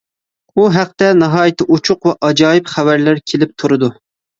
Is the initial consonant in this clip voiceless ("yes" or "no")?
no